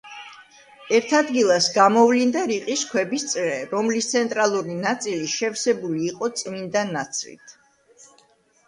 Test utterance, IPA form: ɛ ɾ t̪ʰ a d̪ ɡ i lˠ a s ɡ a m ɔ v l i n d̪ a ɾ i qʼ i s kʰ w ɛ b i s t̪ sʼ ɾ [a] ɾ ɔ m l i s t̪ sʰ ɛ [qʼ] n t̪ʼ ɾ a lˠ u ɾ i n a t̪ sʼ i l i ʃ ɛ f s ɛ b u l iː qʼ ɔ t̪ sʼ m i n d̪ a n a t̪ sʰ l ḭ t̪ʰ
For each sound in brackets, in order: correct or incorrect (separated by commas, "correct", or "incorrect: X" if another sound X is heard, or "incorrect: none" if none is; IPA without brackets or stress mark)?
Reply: incorrect: ɛ, incorrect: none